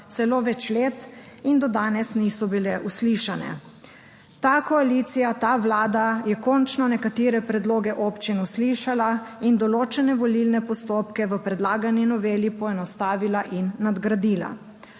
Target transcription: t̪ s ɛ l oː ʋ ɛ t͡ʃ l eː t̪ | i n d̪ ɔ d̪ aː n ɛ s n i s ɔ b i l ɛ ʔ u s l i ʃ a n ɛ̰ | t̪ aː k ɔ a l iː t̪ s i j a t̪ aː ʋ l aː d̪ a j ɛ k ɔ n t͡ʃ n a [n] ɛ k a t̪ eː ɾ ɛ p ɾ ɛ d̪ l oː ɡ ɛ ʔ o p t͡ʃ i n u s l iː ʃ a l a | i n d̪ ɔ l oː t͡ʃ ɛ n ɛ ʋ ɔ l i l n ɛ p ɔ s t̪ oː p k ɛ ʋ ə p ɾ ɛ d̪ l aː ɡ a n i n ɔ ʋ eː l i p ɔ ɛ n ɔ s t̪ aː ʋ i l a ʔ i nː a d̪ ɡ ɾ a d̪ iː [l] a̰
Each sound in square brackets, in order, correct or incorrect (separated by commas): correct, correct